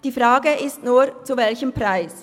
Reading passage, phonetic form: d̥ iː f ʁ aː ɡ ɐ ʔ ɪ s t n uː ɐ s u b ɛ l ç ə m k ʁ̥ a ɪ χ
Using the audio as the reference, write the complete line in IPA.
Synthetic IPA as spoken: d̥ iː f ʁ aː ɡ ə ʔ ɪ s t n uː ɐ t͡s u v ɛ l ç ə m p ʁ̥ a ɪ s